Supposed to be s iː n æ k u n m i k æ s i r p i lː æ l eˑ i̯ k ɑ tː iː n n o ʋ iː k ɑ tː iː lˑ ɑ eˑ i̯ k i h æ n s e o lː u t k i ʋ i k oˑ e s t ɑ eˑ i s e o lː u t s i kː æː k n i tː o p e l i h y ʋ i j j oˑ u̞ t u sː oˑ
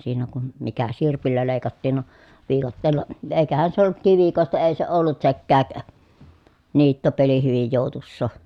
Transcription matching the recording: s iː n æ k u n m i k æ s i r p i lː æ l eˑ i̯ k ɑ tː iː n n o ʋ iː k ɑ tː eː lˑ ɑ eˑ i̯ k æ h æ n s e o lː u t k i ʋ i k oˑ e s t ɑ eˑ i s e o lː u t s e kː æː k n iː tː o p e l i h y ʋ i j j oˑ u̞ t u sː oˑ